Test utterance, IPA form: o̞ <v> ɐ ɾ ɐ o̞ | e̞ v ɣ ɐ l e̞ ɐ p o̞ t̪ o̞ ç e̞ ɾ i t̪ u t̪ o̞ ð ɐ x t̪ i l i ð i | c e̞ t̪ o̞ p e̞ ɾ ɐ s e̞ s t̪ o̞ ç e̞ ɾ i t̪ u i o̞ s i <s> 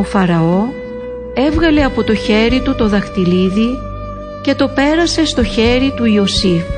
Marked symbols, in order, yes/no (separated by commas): no, no